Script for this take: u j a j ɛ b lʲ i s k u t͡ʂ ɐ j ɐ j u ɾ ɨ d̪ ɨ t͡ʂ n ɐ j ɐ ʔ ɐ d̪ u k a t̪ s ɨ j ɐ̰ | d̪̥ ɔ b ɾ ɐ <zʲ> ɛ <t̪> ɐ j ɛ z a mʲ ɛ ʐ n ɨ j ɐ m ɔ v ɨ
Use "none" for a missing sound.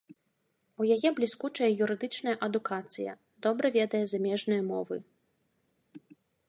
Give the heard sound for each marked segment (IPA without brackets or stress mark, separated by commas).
vʲ, d̪